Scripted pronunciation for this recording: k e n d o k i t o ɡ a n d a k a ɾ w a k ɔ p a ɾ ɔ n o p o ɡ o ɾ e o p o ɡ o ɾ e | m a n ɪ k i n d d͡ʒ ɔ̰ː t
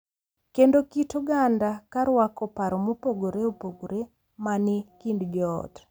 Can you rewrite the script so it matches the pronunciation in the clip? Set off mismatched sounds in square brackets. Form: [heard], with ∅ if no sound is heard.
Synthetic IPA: k e n d o k i t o ɡ a n d a k a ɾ w a k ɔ p a ɾ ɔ [m] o p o ɡ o ɾ e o p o ɡ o ɾ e | m a n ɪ k i n d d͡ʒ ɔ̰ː t